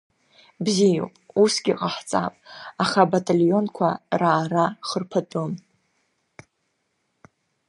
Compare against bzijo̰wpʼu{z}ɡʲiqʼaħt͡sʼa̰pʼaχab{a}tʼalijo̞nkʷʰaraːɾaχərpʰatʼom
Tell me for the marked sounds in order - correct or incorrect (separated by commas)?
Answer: incorrect, correct